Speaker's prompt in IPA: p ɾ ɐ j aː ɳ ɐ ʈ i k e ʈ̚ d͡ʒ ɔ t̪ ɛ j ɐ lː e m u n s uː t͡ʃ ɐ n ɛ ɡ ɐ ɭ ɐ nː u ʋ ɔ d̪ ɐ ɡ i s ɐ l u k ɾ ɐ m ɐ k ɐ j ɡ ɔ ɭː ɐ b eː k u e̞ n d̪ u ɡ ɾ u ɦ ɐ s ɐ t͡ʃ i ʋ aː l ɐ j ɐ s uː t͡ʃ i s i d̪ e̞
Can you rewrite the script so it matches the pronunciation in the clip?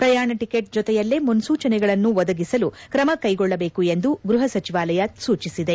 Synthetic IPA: p ɾ ɐ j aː ɳ ɐ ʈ i k e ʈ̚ d͡ʒ ɔ t̪ ɛ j ɐ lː e m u n s uː t͡ʃ ɐ n ɛ ɡ ɐ ɭ ɐ nː u ʋ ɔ d̪ ɐ ɡ i s ɐ l u k ɾ ɐ m ɐ k ɐ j ɡ ɔ ɭː ɐ b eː k u e̞ n d̪ u ɡ ɾ u ɦ ɐ s ɐ t͡ʃ i ʋ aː l ɐ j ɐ s uː t͡ʃ i s i d̪ e̞